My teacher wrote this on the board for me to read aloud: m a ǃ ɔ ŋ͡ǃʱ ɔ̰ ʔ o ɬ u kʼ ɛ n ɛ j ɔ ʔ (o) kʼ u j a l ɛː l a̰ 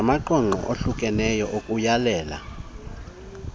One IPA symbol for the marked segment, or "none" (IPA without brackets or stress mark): o